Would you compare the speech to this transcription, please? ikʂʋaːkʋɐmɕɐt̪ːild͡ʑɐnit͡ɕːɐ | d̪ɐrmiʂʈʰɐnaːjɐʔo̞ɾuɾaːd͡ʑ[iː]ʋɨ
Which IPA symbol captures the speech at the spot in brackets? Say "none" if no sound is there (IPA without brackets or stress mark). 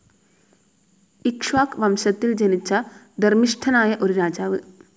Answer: aː